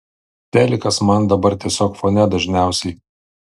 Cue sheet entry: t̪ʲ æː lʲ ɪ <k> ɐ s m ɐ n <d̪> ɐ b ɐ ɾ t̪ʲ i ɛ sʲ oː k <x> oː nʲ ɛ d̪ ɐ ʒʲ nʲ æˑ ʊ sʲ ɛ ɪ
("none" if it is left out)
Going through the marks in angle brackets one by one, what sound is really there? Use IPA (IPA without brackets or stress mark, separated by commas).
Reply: k, d̪, f